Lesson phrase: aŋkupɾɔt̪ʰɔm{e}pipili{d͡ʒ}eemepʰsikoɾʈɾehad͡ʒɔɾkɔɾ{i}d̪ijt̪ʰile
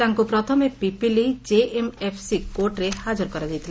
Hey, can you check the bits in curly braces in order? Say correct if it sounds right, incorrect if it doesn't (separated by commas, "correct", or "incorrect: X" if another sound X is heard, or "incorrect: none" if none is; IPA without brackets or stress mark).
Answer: correct, correct, incorrect: a